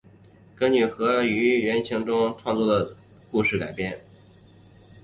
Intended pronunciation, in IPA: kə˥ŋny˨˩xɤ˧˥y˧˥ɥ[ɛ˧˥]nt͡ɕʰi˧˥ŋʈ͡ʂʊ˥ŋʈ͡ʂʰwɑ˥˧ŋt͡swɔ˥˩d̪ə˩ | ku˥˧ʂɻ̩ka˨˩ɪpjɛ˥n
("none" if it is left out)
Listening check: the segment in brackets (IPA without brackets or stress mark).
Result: ɛ˧˥